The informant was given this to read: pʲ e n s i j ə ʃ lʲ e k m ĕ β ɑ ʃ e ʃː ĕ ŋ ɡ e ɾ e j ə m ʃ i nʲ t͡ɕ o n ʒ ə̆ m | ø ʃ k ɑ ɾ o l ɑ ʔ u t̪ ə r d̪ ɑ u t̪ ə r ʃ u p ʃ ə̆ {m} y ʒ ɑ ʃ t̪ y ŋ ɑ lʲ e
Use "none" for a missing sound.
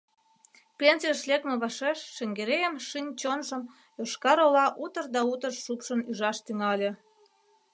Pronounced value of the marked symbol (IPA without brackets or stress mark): n